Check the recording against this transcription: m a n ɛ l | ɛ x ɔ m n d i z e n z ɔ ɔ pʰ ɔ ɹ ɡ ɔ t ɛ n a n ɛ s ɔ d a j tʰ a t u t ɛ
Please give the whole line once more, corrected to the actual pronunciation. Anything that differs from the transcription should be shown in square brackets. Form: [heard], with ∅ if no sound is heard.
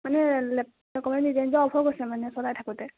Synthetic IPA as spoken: m a n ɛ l | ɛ [k] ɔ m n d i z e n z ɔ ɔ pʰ ɔ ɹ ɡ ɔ [s] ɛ [m] a n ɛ s ɔ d a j tʰ a [k] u t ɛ